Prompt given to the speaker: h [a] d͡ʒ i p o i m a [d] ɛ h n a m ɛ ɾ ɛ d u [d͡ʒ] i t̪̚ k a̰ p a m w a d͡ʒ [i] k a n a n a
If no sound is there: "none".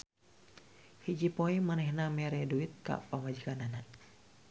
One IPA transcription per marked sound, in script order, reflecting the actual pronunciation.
i, n, none, i

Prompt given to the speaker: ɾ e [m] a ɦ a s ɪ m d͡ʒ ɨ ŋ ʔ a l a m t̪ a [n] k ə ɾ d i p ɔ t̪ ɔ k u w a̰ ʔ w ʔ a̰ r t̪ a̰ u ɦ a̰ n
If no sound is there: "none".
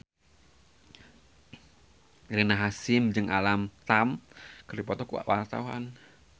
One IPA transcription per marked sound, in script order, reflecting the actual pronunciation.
n, m

